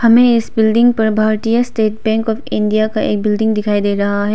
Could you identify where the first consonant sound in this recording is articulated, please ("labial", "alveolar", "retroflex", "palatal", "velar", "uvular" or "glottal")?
glottal